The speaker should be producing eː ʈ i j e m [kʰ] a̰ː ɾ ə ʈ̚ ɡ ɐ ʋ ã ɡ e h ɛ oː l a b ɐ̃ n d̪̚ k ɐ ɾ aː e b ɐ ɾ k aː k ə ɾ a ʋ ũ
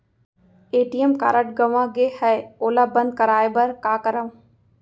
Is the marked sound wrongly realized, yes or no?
yes